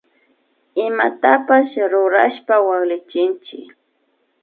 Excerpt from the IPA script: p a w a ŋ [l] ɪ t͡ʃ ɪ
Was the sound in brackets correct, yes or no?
yes